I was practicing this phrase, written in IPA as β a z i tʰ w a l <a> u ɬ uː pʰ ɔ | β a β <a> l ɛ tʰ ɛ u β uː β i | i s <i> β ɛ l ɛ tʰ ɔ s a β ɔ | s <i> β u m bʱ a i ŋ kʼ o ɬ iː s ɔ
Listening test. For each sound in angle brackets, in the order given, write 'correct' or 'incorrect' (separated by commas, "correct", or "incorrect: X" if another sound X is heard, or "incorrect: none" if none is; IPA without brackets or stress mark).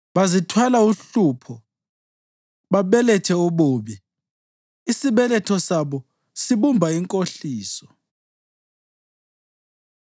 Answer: correct, incorrect: ɛ, correct, correct